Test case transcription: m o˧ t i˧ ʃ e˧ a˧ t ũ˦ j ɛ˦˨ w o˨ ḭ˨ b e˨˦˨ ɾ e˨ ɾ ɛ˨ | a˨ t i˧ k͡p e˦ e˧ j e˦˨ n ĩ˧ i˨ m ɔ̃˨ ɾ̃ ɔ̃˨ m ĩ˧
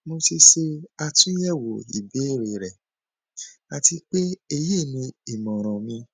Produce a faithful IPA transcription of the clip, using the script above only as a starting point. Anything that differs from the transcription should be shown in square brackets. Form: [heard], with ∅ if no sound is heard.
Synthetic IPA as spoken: m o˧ t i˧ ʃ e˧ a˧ t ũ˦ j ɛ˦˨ w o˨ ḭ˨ b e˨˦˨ ɾ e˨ ɾ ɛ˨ | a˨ t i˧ k͡p e˦ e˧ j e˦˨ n ĩ˧ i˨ m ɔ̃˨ ɾ̃ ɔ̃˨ m ĩ˧